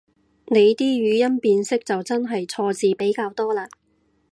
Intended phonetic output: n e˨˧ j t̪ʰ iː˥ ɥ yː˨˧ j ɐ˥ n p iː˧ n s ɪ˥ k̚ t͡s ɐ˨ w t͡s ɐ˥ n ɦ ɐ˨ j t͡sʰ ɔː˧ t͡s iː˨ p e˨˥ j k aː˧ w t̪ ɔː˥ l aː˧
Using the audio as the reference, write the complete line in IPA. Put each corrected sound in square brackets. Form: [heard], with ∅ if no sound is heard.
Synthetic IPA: n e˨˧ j [t̪] iː˥ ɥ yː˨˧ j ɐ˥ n p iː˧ n s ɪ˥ k̚ t͡s ɐ˨ w t͡s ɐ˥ n ɦ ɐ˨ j t͡sʰ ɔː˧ t͡s iː˨ p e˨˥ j k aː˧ w t̪ ɔː˥ l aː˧